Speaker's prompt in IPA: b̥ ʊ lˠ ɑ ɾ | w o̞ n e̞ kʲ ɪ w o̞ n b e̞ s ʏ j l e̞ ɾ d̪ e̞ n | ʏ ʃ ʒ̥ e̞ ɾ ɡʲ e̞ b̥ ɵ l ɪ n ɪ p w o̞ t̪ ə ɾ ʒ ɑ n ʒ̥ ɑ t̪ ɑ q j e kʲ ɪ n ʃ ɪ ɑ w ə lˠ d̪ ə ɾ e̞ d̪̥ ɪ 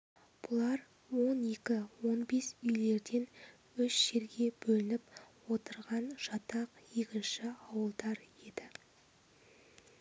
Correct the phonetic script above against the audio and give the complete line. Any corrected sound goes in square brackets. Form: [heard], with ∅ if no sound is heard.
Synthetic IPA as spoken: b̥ ʊ lˠ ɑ ɾ | w o̞ n e̞ kʲ ɪ w o̞ n b e̞ s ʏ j l e̞ ɾ d̪ e̞ n | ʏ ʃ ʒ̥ e̞ ɾ ɡʲ e̞ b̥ ɵ l ɪ n ɪ p w o̞ t̪ ə ɾ [ʁ] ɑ n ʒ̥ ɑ t̪ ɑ q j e kʲ ɪ n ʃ ɪ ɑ w ə lˠ d̪ [ɑ] ɾ e̞ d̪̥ ɪ

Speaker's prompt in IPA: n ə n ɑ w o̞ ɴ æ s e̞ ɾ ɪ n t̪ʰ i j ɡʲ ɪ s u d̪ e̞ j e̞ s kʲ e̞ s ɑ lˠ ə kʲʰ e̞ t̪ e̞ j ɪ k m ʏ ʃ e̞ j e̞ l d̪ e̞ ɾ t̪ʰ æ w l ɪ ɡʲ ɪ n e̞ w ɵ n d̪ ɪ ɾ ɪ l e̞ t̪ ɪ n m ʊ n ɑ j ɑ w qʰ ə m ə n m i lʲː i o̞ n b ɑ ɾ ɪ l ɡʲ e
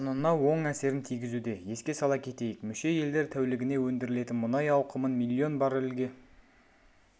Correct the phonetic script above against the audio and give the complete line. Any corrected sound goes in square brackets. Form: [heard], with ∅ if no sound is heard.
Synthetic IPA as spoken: n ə n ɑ w o̞ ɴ æ s e̞ ɾ ɪ n t̪ʰ i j ɡʲ ɪ [z] u d̪ e̞ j e̞ s kʲ e̞ s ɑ lˠ [ɑ] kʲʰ e̞ t̪ e̞ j ɪ k m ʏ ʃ e̞ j e̞ l d̪ e̞ ɾ t̪ʰ æ w l ɪ ɡʲ ɪ n e̞ w ɵ n d̪ ɪ ɾ ɪ l e̞ t̪ ɪ n m ʊ n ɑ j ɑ w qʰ ə m ə n m i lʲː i o̞ n b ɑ ɾ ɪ l ɡʲ e

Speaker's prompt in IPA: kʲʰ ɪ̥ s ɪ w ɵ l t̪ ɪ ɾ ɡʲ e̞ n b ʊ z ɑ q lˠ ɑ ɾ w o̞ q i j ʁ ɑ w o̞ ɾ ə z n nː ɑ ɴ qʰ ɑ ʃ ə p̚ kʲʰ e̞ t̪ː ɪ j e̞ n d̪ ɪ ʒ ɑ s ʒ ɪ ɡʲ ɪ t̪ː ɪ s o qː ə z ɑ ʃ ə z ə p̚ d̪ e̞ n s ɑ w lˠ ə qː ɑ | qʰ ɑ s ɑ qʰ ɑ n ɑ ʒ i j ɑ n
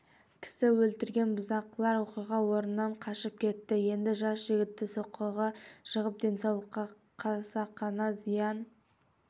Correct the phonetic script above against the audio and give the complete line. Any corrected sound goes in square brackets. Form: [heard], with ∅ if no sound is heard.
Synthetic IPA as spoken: kʲʰ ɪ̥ s ɪ w ɵ l t̪ ɪ ɾ ɡʲ e̞ n b ʊ z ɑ q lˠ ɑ ɾ w o̞ q i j ʁ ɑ w o̞ ɾ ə [∅] n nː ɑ ɴ qʰ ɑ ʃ ə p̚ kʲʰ e̞ t̪ː ɪ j e̞ n d̪ ɪ ʒ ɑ s ʒ ɪ ɡʲ ɪ t̪ː ɪ s o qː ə [ʁ] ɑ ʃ ə [ʁ] ə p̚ d̪ e̞ n s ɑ w lˠ ə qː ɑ | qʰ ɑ s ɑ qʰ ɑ n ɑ [z] i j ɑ n

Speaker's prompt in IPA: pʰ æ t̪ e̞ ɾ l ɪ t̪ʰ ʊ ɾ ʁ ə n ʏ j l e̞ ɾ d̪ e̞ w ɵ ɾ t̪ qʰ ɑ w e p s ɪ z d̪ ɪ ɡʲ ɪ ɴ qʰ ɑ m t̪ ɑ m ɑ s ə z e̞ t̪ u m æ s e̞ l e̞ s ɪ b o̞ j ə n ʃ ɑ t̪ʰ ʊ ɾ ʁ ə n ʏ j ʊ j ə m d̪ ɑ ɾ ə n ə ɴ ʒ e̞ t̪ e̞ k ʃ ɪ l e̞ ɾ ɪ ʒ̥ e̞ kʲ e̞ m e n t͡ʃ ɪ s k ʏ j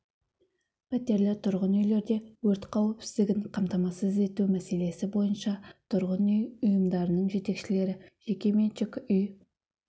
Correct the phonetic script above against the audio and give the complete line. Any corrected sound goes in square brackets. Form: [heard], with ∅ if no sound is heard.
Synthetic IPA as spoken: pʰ æ t̪ e̞ ɾ l ɪ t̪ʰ ʊ ɾ ʁ ə n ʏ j l e̞ ɾ d̪ e̞ w ɵ ɾ t̪ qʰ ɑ w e p s ɪ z d̪ ɪ ɡʲ ɪ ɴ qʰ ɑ m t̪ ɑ m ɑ s ə z e̞ t̪ u m æ s e̞ l e̞ s ɪ b o̞ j ə n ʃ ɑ t̪ʰ ʊ ɾ ʁ ə n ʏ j ʊ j ə m d̪ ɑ ɾ ə n ə ɴ ʒ e̞ t̪ e̞ k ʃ ɪ l e̞ ɾ ɪ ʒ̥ e̞ kʲ e̞ m e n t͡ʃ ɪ [∅] k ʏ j

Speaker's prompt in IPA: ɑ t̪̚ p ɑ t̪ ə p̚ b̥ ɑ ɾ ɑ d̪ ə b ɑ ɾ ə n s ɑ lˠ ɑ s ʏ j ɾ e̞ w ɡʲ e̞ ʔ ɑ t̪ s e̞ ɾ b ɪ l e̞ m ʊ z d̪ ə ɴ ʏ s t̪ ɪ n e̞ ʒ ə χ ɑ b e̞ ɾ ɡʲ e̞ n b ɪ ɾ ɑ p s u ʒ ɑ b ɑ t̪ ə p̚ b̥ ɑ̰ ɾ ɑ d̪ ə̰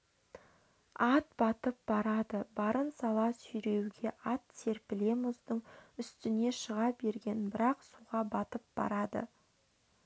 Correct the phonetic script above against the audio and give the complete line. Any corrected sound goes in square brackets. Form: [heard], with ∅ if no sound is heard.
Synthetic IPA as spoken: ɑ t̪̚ [b] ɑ t̪ ə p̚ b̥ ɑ ɾ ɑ d̪ ə b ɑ ɾ ə n s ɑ lˠ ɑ s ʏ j ɾ e̞ w ɡʲ e̞ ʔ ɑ t̪ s e̞ ɾ [p] ɪ l e̞ m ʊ z d̪ ə ɴ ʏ s t̪ ɪ n e̞ [ʃ] ə [ʁ] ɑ b e̞ ɾ ɡʲ e̞ n b ɪ ɾ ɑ [q] s u [ʁ] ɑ b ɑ t̪ ə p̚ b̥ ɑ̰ ɾ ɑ d̪ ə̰

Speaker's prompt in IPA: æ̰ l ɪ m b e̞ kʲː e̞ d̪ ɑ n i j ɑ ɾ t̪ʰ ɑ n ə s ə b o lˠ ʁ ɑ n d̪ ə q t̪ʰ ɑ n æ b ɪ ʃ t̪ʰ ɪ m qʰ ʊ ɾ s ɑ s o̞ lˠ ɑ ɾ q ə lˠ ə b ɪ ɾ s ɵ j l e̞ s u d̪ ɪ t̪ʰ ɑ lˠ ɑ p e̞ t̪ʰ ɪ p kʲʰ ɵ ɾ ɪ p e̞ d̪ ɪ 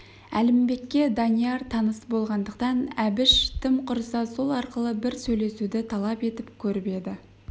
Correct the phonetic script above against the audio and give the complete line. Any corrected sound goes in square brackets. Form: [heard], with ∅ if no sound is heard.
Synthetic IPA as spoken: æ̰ l ɪ m b e̞ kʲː e̞ d̪ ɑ n i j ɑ ɾ t̪ʰ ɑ n ə s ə b o lˠ ʁ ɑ n d̪ ə q [t̪] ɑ n æ b ɪ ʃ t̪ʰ ɪ m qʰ ʊ ɾ s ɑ s o̞ lˠ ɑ ɾ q ə lˠ ə b ɪ ɾ s ɵ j l e̞ s u d̪ ɪ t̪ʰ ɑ lˠ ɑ p e̞ [t̪] ɪ p kʲʰ ɵ ɾ ɪ p e̞ d̪ ɪ

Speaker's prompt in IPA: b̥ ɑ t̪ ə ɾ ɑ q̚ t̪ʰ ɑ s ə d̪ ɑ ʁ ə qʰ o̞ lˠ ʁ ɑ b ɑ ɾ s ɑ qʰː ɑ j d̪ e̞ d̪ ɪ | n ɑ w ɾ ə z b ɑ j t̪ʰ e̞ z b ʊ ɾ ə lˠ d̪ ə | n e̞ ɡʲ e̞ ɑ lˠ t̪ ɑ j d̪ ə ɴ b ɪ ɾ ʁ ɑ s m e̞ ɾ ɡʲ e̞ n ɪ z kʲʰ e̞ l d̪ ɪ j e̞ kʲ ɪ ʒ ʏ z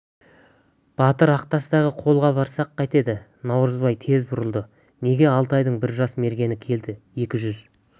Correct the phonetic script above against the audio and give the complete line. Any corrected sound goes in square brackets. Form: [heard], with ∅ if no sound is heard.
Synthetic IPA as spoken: b̥ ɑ t̪ ə ɾ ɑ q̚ [t̪] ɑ s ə d̪ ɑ ʁ ə qʰ o̞ lˠ ʁ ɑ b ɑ ɾ s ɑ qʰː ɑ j [t̪] e̞ d̪ ɪ | n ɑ w ɾ ə z b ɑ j t̪ʰ e̞ z b ʊ ɾ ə lˠ d̪ ə | n e̞ ɡʲ e̞ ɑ lˠ t̪ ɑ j d̪ ə ɴ b ɪ ɾ [ʒ] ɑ s m e̞ ɾ ɡʲ e̞ n ɪ [∅] kʲʰ e̞ l d̪ ɪ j e̞ kʲ ɪ ʒ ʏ z

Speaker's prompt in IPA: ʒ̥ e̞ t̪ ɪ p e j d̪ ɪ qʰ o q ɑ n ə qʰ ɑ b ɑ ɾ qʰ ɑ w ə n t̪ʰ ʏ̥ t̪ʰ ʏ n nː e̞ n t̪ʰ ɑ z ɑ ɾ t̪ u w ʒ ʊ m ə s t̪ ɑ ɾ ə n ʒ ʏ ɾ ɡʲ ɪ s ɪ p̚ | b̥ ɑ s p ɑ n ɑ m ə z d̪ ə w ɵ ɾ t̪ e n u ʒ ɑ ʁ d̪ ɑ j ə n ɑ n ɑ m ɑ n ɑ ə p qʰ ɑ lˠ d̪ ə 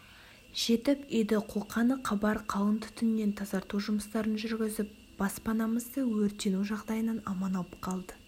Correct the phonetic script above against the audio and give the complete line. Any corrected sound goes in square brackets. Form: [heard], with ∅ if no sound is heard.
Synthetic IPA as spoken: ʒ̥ e̞ t̪ ɪ p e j d̪ ɪ qʰ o q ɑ n ə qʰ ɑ b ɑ ɾ qʰ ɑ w ə n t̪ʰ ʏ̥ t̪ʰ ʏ n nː e̞ n t̪ʰ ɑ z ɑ ɾ t̪ u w ʒ ʊ m ə s t̪ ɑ ɾ ə n ʒ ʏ ɾ ɡʲ ɪ [z] ɪ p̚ | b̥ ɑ s p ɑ n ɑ m ə z d̪ ə w ɵ ɾ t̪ e n u ʒ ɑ ʁ d̪ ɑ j ə n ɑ n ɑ m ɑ n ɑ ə p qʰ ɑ lˠ d̪ ə

